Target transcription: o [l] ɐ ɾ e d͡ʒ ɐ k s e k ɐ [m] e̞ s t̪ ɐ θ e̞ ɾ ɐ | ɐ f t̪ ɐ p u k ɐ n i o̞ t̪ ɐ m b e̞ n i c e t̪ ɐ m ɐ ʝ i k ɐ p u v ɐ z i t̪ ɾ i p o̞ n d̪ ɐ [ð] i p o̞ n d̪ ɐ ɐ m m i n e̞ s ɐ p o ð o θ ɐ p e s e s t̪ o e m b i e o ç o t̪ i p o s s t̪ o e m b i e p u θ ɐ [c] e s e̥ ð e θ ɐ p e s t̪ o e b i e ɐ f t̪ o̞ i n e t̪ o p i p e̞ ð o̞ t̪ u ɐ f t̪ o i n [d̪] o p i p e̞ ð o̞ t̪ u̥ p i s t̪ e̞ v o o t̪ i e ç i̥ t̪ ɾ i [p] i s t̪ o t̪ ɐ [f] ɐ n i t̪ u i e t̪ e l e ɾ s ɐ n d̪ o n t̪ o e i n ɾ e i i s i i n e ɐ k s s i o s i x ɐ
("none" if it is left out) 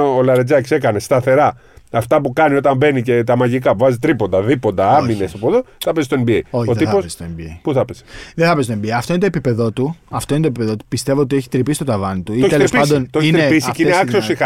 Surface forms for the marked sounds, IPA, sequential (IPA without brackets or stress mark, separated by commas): l, n, ð, p, t̪, p, v